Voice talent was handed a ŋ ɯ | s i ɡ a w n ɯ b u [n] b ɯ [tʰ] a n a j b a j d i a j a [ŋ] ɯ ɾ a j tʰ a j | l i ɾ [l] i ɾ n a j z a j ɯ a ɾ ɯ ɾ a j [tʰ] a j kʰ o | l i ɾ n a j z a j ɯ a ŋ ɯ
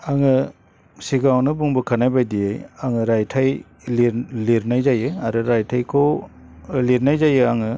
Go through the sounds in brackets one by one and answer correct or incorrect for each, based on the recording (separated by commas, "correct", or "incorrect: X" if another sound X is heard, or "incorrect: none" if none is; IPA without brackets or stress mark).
incorrect: ŋ, incorrect: kʰ, correct, correct, correct